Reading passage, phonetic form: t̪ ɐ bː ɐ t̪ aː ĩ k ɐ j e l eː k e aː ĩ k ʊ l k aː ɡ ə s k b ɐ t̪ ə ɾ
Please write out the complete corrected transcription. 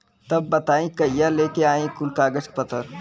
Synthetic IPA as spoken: t̪ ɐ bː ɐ t̪ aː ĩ k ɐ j a l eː k e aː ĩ k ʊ l k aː ɡ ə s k p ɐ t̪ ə ɾ